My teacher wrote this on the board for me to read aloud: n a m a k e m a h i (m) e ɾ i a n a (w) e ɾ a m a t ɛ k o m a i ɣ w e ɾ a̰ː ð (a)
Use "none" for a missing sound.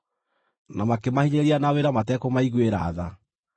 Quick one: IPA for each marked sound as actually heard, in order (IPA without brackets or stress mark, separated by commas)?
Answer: ɲ, w, a